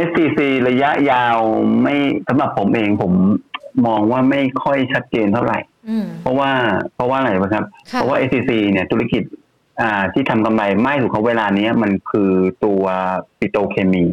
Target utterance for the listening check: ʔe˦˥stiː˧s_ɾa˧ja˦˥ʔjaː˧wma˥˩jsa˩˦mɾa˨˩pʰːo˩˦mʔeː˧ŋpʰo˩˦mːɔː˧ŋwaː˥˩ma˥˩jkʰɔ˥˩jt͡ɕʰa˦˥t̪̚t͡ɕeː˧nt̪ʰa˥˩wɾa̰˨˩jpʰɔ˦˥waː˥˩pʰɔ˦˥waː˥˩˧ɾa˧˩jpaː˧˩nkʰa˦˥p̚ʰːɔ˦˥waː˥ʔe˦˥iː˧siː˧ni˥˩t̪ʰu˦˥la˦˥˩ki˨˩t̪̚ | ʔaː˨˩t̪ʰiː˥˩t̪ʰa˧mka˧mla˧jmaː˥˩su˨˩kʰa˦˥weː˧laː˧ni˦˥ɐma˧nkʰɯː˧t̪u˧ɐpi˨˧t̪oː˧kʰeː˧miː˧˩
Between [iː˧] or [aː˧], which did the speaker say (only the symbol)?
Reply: iː˧